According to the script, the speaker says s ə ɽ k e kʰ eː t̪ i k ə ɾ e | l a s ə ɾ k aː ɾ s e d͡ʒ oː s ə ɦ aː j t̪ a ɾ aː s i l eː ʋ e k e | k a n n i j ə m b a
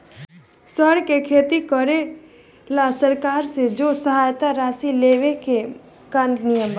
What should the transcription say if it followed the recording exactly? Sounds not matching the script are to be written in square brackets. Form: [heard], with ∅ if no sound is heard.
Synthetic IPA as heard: s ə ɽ k e kʰ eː t̪ i k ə ɾ e | l a s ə ɾ k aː ɾ s e d͡ʒ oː s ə ɦ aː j t̪ a ɾ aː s i l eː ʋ e k e | k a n n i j ə m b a

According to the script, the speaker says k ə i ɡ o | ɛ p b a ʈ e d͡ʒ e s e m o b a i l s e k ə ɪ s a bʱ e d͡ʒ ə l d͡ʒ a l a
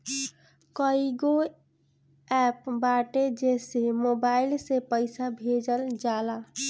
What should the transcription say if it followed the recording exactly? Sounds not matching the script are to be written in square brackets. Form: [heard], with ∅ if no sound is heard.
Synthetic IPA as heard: k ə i ɡ o | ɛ p b a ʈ e d͡ʒ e s e m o b a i l s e [p] ə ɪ s a bʱ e d͡ʒ ə l d͡ʒ a l a

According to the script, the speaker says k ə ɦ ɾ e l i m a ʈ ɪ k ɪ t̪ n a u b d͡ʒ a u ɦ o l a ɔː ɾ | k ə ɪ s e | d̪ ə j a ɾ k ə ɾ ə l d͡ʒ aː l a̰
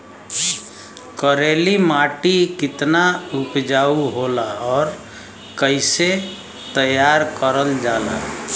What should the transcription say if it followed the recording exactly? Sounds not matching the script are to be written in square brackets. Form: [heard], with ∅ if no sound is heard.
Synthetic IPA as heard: k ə [∅] ɾ e l i m a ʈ [i] k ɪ t̪ n a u [p] d͡ʒ a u ɦ o l a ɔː ɾ | k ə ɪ s e | [t̪] ə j a ɾ k ə ɾ ə l d͡ʒ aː l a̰

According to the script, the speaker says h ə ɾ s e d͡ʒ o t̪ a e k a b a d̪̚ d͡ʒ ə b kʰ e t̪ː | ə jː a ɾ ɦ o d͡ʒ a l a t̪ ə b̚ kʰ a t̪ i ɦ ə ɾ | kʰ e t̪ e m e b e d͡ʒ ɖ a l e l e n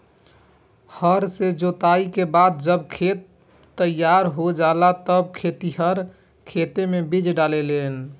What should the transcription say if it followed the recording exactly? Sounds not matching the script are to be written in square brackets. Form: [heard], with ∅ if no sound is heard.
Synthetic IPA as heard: h ə ɾ s e d͡ʒ o t̪ a [i] k [e] b a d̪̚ d͡ʒ ə b kʰ e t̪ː | ə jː a ɾ ɦ o d͡ʒ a l a t̪ ə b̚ kʰ [e] t̪ i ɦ ə ɾ | kʰ e t̪ e m e b [i] d͡ʒ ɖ a l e l e n

